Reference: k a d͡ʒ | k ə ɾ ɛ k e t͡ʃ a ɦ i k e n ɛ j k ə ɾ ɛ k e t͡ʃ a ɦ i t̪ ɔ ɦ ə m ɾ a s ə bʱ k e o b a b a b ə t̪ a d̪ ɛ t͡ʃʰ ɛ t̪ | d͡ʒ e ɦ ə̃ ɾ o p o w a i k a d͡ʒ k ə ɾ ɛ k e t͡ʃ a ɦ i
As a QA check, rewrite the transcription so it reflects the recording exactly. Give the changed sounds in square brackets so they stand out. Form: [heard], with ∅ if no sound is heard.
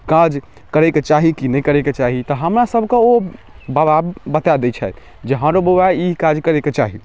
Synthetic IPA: k a d͡ʒ | k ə ɾ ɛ k e t͡ʃ a ɦ i k [i] n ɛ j k ə ɾ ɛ k e t͡ʃ a ɦ i t̪ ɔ ɦ ə m ɾ a s ə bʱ k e o b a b a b ə t̪ a d̪ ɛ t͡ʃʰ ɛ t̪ | d͡ʒ e ɦ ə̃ ɾ o [b] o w a i k a d͡ʒ k ə ɾ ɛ k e t͡ʃ a ɦ i